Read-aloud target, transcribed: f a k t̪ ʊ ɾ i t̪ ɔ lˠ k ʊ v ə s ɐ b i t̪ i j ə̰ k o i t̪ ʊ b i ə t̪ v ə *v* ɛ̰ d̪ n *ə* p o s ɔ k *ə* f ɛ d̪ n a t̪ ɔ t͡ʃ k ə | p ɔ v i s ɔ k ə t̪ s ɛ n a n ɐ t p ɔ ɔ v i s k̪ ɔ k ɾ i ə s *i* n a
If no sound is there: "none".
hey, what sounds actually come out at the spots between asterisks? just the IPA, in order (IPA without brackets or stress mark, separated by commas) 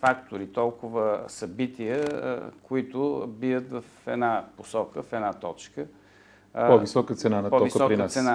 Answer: f, a, ə, ɛ